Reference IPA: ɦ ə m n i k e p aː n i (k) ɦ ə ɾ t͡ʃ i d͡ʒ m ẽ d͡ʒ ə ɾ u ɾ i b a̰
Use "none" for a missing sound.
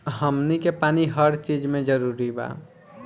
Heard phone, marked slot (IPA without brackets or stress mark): none